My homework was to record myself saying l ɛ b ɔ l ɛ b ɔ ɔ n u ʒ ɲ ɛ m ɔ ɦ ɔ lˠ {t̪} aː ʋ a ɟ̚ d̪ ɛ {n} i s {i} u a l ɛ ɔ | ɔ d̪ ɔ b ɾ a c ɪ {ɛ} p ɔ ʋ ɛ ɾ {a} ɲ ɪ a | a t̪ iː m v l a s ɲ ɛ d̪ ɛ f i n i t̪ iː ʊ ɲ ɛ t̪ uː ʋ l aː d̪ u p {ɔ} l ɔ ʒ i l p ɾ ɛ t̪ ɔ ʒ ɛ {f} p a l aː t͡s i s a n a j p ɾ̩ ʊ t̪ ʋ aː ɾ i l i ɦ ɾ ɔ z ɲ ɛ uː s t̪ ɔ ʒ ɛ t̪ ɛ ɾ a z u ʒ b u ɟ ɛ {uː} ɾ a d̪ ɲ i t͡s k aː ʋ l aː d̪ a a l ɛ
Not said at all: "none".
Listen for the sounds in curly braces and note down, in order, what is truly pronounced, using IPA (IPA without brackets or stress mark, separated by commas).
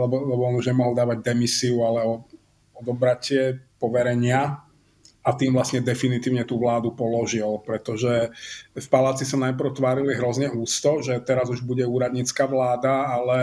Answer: d̪, m, i, ɛ, ɛ, ɔ, f, uː